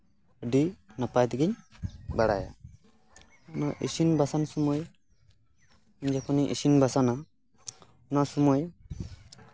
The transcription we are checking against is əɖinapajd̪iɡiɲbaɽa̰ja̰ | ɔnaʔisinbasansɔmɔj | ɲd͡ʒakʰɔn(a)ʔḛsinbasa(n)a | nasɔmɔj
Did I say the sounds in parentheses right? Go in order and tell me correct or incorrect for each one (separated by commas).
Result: incorrect, correct